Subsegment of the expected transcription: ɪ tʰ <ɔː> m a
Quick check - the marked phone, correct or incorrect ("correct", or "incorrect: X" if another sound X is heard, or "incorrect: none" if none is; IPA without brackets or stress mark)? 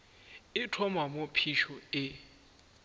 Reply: incorrect: ɔ